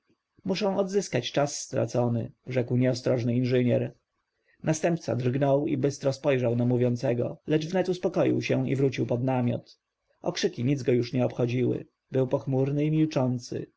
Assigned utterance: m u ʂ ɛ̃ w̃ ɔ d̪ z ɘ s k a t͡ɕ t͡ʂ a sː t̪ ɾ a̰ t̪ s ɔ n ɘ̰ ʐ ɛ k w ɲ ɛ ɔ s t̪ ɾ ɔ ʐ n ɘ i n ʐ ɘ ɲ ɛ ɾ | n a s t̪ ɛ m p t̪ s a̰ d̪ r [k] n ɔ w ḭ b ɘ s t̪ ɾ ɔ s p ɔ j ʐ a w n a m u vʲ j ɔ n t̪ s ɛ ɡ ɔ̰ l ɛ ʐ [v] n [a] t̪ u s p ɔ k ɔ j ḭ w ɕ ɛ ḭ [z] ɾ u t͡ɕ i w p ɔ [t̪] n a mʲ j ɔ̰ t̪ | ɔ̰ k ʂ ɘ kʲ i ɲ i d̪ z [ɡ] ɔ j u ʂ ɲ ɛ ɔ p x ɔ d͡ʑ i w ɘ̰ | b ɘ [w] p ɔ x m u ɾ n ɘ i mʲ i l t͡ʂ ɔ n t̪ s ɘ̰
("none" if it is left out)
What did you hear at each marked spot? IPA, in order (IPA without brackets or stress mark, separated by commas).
ɡ, v, ɛ, v, d̪, ɡ, w